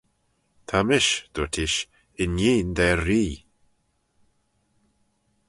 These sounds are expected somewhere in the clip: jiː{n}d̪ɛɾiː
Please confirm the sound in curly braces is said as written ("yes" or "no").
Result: yes